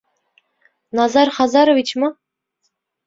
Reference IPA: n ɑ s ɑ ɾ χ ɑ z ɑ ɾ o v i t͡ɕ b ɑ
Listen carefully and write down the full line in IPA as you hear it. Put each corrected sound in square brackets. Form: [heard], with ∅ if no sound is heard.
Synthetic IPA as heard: n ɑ [z] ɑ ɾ χ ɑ z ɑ ɾ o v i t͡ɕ [m] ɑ